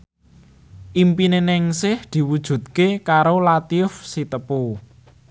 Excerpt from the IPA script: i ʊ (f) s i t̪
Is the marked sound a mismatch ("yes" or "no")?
no